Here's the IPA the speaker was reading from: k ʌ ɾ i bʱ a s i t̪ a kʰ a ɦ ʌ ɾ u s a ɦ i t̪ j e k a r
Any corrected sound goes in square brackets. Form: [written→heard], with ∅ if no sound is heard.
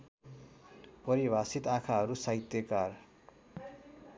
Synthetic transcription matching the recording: [k→p] ʌ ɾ i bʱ a s i t̪ a kʰ a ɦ ʌ ɾ u s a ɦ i t̪ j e k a r